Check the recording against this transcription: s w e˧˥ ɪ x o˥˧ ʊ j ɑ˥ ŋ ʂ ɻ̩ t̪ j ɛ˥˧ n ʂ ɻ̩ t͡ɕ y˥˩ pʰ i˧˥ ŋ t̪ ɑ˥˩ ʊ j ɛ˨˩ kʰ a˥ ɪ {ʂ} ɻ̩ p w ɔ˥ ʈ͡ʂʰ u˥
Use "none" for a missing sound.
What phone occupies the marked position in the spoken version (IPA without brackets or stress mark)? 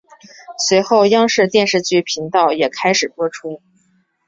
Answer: ʂ